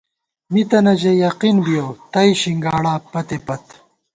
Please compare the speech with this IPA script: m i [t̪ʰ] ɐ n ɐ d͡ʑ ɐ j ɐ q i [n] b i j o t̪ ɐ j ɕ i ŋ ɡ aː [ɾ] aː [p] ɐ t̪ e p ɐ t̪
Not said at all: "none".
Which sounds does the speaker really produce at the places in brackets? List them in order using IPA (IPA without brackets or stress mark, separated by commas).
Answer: t̪, n, ɽ, p